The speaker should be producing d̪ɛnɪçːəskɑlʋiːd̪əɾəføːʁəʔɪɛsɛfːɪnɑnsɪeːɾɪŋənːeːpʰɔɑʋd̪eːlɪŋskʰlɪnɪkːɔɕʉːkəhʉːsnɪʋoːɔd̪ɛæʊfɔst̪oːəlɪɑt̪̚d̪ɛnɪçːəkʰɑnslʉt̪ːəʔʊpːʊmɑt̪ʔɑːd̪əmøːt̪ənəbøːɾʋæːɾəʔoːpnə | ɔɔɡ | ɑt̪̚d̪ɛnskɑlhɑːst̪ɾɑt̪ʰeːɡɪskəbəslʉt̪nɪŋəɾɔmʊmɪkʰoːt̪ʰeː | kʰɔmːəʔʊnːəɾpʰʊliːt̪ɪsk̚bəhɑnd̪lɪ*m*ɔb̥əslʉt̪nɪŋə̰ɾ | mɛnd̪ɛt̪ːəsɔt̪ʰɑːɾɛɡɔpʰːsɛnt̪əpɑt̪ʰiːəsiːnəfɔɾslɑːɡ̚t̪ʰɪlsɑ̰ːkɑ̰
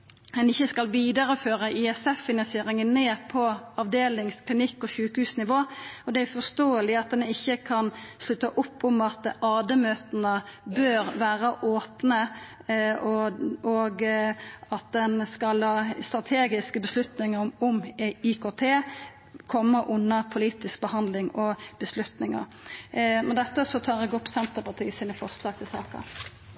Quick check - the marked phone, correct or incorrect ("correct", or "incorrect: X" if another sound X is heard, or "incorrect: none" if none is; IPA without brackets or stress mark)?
incorrect: ŋ